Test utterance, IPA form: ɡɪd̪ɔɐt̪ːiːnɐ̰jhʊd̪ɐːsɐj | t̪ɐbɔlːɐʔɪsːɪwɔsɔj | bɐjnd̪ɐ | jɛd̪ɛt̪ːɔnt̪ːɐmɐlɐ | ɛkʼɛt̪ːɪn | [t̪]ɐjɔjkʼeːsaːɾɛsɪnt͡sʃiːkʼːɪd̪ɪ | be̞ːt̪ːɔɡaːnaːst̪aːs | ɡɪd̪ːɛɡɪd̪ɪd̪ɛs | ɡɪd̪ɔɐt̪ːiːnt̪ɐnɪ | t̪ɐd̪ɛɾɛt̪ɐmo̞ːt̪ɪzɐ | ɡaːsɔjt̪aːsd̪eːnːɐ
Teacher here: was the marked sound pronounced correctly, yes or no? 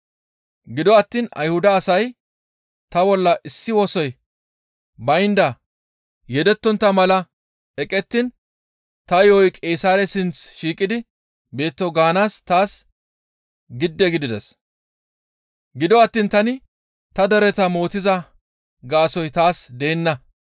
yes